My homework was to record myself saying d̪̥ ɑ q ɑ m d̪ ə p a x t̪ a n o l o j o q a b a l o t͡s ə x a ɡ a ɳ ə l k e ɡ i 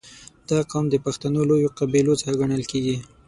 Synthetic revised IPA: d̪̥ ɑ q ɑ m d̪ ə p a x t̪ a n o l o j o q a b i l o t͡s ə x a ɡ a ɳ ə l k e ɡ i